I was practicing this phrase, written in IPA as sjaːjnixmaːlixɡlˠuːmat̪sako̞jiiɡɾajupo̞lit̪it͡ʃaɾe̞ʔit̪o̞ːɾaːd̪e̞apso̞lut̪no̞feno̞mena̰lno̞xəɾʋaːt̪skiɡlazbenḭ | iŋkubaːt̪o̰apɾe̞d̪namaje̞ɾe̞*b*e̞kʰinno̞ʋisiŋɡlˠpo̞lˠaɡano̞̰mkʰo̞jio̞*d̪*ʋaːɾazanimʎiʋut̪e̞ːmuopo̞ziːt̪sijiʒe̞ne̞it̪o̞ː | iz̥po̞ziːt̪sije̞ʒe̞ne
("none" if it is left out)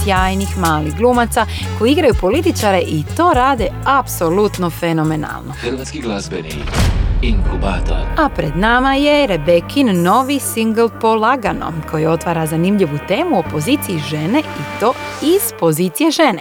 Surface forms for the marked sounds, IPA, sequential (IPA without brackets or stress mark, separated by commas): b, t̪